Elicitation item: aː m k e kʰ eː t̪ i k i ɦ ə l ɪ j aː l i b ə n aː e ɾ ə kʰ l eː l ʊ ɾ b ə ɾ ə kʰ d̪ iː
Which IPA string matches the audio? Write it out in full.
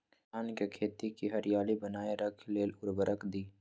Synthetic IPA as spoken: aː n k e kʰ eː t̪ i k i ɦ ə ɾ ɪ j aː l i b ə n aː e ɾ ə kʰ l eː l ʊ ɾ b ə ɾ ə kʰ d̪ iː